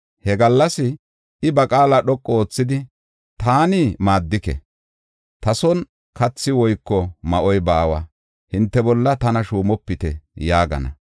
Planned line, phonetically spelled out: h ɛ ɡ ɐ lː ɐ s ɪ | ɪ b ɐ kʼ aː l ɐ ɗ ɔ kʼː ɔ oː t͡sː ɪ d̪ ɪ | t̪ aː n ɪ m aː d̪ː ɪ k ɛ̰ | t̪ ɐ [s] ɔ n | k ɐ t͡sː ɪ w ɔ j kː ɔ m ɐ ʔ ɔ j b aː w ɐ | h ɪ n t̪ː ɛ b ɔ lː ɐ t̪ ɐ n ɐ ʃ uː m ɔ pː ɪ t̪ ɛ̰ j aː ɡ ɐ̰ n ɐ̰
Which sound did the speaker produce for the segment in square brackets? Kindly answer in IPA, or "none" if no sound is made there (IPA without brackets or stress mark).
s